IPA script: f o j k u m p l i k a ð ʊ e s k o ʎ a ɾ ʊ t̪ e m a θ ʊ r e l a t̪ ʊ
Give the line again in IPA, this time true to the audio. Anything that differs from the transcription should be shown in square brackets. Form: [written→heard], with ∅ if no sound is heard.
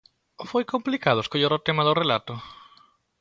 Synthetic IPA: f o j k [u→o] m p l i k a ð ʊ e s k o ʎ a ɾ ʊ t̪ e m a [θ→ð] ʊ r e l a t̪ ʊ